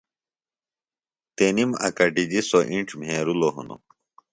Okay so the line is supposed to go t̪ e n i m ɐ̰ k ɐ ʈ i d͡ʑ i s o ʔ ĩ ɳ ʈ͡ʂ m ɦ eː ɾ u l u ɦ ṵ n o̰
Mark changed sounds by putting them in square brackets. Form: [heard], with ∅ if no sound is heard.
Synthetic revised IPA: t̪ e n i m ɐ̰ k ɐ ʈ i d͡ʑ i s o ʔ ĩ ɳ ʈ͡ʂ m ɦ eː ɾ u l [o] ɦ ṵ n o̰